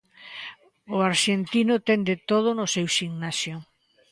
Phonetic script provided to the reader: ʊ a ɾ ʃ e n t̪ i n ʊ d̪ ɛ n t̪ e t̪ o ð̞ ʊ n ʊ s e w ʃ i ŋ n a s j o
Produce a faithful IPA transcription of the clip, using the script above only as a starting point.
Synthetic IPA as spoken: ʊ a ɾ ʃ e n t̪ i n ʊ t̪ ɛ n d̪ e t̪ o ð̞ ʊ n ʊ s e w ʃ i ŋ n a s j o